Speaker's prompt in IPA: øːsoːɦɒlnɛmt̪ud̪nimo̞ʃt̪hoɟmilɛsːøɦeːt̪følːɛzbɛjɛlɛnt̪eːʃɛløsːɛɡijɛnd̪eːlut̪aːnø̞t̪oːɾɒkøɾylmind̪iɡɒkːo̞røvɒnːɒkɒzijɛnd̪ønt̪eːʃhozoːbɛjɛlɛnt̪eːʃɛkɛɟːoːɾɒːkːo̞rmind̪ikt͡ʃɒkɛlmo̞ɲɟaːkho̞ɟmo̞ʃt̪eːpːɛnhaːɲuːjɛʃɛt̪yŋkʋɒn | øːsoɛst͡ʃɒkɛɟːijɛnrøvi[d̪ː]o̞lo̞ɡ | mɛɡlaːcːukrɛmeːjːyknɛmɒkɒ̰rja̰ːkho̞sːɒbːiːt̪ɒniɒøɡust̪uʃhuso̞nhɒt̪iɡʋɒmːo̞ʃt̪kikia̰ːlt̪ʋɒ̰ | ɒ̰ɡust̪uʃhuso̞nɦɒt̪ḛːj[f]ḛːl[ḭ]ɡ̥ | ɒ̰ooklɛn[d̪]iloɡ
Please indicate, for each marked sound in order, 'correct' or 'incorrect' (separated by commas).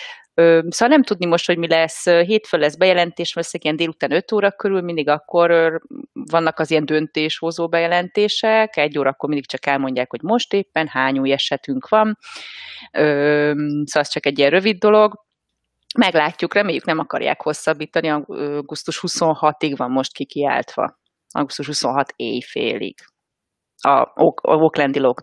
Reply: correct, correct, correct, correct